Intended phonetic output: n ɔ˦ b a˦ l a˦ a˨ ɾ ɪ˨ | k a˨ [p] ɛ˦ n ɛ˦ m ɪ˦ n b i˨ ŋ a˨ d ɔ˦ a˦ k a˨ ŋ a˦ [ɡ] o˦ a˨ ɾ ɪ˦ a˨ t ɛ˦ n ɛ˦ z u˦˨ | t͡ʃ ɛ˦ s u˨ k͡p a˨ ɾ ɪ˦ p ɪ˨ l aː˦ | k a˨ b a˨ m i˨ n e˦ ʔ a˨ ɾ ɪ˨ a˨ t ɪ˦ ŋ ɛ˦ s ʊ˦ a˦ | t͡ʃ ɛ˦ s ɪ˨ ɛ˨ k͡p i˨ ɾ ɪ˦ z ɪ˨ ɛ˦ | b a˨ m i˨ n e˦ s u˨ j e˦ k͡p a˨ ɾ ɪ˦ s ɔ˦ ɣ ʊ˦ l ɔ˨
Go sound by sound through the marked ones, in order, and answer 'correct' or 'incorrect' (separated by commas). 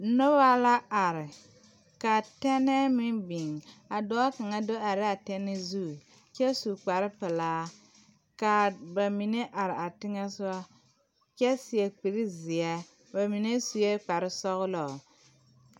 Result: incorrect, incorrect